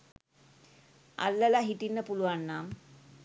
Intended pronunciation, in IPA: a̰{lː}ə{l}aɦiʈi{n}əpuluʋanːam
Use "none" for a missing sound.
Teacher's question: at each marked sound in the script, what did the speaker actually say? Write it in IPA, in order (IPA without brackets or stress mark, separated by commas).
lː, l, nː